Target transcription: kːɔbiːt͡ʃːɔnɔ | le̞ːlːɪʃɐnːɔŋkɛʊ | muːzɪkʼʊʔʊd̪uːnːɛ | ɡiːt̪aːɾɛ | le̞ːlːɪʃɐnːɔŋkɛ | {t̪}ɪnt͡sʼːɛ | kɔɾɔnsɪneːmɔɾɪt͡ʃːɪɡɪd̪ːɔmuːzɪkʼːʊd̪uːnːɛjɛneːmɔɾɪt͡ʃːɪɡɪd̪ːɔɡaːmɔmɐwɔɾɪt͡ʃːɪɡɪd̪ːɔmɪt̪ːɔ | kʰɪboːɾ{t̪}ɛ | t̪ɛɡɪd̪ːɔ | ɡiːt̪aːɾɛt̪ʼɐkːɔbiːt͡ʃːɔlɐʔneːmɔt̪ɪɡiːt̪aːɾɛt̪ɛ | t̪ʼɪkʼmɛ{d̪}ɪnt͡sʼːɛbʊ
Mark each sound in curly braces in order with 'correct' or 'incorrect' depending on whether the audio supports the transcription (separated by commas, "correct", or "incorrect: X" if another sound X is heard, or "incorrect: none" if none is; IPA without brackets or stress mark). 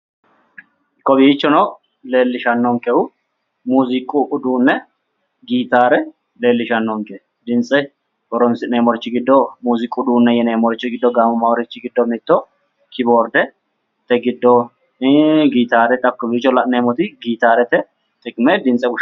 incorrect: d̪, incorrect: d̪, correct